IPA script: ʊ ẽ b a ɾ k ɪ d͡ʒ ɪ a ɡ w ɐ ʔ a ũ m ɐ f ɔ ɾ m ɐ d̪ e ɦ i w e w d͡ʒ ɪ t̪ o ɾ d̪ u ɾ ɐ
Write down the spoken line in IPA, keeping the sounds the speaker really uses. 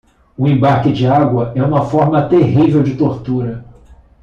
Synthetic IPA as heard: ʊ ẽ b a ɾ k ɪ d͡ʒ ɪ a ɡ w ɐ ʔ ɛ ũ m ɐ f ɔ ɾ m ɐ t̪ e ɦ i v e w d͡ʒ ɪ t̪ o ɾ t̪ u ɾ ɐ